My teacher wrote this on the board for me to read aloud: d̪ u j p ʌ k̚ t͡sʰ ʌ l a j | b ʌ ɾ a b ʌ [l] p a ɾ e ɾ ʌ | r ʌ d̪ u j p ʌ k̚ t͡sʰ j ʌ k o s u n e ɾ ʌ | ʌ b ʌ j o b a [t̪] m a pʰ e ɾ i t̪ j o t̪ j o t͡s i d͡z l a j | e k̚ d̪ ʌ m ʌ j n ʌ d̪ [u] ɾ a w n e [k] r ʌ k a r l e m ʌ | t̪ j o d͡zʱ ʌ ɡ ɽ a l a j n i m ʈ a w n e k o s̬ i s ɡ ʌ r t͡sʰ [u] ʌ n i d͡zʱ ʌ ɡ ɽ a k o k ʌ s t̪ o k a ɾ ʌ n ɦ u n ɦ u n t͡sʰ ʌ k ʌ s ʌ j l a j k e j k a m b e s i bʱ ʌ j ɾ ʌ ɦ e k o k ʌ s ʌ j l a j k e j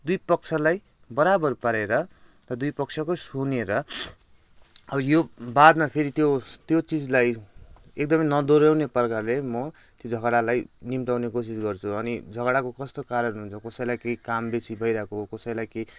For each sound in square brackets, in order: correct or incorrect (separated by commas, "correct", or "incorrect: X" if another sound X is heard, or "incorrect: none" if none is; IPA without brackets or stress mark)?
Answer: incorrect: r, incorrect: d̪, incorrect: o, incorrect: p, correct